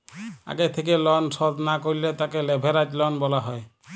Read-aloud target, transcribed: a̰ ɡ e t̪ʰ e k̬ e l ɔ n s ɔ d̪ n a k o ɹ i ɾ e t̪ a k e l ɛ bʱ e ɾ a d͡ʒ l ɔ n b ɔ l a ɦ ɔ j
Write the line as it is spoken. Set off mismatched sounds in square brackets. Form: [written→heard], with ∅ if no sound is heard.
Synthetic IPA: a̰ ɡ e t̪ʰ e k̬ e l ɔ n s ɔ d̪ n a k o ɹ i [ɾ→l] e t̪ a k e l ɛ bʱ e ɾ a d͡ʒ l ɔ n b ɔ l a ɦ ɔ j